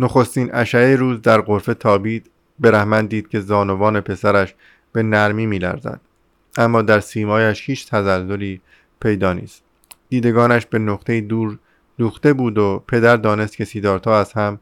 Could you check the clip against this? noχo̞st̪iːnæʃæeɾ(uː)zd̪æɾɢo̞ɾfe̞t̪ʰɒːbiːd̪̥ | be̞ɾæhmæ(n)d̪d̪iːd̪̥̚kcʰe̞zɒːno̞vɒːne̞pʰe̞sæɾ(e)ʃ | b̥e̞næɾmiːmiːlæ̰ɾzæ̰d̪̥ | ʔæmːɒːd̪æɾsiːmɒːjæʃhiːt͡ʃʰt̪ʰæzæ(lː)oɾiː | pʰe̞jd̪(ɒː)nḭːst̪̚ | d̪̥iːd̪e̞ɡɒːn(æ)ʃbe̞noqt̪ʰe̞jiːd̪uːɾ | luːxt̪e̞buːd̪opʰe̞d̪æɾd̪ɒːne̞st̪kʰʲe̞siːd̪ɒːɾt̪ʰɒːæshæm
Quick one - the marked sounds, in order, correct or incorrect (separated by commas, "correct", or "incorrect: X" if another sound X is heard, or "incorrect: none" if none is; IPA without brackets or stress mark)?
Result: correct, correct, incorrect: æ, correct, correct, correct